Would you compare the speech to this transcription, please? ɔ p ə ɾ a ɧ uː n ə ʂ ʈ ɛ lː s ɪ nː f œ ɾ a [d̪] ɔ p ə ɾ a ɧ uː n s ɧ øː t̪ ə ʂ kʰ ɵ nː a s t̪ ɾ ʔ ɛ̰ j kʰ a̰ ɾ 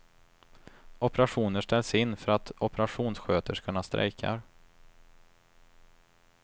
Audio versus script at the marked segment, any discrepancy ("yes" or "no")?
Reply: yes